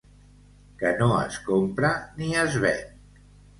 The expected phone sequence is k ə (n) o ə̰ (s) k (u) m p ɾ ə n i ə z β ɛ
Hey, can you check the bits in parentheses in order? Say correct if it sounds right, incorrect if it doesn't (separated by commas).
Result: correct, correct, incorrect